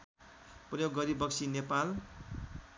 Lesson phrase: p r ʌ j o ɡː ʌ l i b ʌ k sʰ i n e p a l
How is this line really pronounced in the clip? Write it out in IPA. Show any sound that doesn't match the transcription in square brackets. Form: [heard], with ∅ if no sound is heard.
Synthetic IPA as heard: p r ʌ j o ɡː ʌ [ɾ] i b ʌ k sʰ i n e p a l